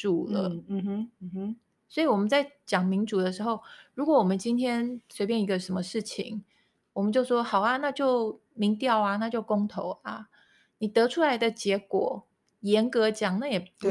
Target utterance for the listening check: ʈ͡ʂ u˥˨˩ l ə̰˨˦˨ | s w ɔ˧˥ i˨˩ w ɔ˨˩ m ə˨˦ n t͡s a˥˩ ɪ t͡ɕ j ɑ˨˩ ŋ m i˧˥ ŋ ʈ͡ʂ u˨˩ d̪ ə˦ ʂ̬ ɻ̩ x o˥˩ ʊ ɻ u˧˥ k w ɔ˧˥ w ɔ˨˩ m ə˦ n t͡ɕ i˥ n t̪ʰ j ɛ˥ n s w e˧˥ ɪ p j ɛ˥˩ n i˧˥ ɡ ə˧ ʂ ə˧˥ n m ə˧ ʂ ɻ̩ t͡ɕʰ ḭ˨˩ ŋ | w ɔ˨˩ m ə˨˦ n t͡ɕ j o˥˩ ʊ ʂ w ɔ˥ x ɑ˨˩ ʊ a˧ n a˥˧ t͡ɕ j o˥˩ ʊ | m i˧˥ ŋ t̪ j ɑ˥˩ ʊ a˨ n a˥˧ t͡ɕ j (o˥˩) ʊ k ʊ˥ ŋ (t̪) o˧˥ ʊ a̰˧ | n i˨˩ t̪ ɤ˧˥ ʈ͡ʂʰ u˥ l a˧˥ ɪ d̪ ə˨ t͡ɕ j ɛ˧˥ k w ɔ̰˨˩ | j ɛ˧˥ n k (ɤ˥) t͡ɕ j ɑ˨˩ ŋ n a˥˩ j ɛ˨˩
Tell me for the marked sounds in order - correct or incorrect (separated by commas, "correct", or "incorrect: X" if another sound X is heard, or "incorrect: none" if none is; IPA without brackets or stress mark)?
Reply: correct, incorrect: t̪ʰ, incorrect: ɤ˧˥